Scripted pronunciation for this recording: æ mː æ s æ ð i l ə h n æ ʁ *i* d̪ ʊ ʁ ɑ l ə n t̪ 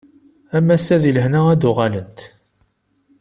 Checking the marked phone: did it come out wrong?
yes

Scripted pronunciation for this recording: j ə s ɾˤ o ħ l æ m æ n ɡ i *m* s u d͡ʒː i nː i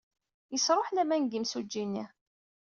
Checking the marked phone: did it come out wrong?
no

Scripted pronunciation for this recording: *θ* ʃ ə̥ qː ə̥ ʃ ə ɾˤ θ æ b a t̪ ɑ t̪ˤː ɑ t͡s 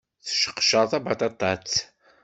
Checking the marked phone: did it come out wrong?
no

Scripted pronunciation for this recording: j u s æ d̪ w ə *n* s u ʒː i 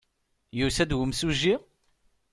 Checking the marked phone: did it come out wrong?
yes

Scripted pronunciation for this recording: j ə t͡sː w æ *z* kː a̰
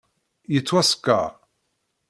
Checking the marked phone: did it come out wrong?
yes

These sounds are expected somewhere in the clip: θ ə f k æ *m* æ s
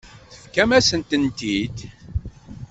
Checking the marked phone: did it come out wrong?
no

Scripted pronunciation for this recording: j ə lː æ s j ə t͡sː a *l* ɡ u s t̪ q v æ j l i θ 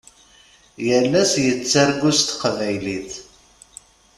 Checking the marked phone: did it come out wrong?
yes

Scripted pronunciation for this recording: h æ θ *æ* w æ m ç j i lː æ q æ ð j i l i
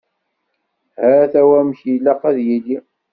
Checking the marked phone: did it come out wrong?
no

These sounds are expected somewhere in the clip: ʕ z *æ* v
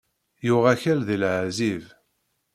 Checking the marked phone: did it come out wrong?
yes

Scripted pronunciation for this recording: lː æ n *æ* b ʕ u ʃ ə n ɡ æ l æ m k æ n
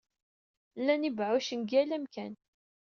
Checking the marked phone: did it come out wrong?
yes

